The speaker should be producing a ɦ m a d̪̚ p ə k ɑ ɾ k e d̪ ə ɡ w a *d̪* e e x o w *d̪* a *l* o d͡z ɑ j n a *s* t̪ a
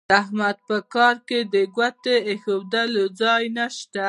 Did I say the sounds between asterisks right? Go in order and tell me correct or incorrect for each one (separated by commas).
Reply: incorrect, correct, correct, incorrect